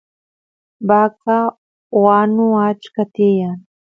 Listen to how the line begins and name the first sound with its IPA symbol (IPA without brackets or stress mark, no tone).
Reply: b